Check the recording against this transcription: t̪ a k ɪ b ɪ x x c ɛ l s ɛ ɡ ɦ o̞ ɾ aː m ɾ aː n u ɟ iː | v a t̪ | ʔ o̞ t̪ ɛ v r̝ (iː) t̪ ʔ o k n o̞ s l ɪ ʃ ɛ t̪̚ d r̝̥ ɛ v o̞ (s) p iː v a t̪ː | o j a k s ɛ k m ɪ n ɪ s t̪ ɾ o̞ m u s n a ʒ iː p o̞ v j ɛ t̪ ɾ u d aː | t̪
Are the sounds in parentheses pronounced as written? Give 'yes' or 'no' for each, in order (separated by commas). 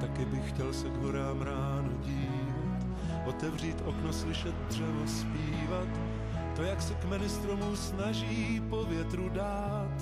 yes, yes